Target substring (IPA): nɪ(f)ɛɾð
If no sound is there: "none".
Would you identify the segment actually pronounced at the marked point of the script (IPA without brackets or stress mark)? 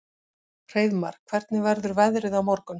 v